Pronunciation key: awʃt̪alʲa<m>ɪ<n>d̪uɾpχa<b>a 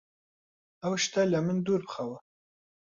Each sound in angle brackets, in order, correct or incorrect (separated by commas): correct, correct, incorrect